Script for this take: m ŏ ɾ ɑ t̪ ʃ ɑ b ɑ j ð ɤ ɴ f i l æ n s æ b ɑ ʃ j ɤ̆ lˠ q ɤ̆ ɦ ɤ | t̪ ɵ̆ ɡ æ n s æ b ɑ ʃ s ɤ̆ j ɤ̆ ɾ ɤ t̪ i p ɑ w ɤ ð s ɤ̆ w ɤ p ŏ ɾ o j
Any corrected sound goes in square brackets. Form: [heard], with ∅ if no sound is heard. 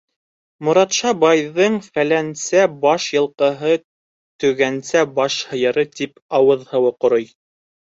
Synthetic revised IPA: m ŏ ɾ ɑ t̪ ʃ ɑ b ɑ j ð ɤ ɴ f [æ] l æ n s æ b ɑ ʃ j ɤ̆ lˠ q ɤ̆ ɦ ɤ | t̪ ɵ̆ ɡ æ n s æ b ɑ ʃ [h] ɤ̆ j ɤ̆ ɾ ɤ t̪ i p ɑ w ɤ ð [h] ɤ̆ w ɤ [q] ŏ ɾ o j